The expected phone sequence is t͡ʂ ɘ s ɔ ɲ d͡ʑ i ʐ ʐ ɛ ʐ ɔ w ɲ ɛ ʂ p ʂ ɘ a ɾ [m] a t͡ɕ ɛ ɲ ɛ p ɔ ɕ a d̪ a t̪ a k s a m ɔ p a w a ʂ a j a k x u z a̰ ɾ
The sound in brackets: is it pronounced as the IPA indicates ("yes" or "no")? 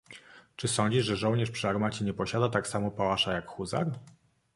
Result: yes